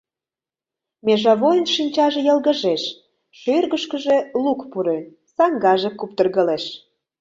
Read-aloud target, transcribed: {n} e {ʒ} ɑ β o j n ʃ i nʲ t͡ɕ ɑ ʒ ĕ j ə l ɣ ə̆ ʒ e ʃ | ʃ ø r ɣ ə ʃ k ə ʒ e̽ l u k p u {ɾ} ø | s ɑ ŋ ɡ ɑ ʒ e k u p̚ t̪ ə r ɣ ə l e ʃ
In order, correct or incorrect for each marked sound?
incorrect, correct, correct

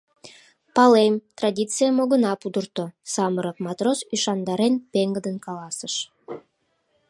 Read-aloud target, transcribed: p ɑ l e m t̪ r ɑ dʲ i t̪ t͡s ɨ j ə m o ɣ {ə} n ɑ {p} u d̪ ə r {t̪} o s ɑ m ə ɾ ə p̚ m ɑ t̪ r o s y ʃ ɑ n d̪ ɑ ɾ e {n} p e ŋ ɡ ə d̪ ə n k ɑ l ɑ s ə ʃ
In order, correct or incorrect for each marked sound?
correct, correct, correct, correct

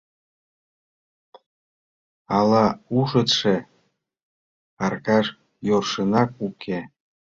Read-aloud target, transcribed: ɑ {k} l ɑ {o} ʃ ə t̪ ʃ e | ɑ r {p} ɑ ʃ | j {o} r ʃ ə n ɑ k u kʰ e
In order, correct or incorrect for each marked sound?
incorrect, incorrect, incorrect, correct

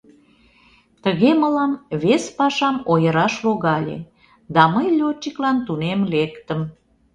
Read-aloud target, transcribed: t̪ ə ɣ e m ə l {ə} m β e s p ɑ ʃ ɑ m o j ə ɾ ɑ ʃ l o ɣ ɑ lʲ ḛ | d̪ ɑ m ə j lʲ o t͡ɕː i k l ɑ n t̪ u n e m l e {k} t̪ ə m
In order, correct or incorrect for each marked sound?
incorrect, correct

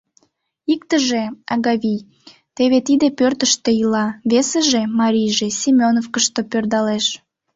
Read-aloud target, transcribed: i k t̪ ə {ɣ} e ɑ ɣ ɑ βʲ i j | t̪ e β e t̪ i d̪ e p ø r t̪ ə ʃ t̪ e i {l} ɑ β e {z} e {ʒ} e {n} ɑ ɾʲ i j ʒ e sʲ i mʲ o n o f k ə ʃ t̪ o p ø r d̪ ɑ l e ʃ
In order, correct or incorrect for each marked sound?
incorrect, correct, incorrect, correct, incorrect

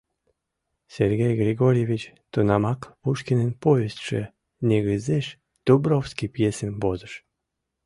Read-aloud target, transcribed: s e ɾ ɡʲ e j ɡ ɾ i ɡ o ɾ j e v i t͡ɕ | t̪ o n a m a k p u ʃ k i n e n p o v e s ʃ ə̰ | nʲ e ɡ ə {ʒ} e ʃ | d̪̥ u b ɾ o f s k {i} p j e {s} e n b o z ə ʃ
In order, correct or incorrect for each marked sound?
incorrect, correct, correct

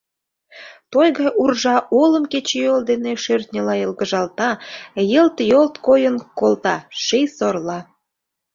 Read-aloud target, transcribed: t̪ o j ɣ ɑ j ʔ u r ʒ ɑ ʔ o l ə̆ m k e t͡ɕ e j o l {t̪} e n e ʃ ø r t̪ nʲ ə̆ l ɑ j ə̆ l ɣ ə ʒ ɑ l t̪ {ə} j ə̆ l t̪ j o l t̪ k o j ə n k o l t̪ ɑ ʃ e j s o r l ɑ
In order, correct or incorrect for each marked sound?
incorrect, incorrect

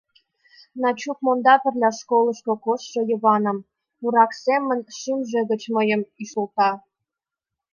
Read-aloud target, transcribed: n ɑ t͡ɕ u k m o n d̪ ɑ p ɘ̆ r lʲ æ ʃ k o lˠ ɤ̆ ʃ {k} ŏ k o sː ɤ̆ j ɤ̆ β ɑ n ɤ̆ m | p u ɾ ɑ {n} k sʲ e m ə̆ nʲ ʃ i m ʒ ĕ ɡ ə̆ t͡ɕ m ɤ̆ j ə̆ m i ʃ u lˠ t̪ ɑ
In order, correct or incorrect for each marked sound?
correct, incorrect

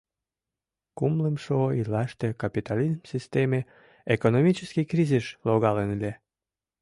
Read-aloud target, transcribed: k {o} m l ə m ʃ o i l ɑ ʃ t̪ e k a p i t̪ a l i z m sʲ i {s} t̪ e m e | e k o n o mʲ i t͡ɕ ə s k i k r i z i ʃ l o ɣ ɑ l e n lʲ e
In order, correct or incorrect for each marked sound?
incorrect, correct

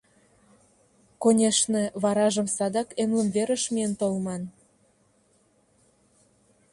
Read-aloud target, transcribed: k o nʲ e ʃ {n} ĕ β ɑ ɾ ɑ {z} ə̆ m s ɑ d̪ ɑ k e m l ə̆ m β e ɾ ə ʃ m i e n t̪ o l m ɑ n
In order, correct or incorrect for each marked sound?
correct, incorrect

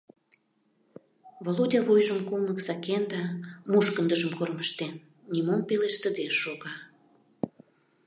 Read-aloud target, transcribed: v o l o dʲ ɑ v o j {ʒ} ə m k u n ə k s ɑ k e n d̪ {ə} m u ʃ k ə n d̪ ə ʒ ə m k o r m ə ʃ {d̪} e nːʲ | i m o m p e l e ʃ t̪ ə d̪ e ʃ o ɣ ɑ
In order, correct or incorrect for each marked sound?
correct, incorrect, incorrect

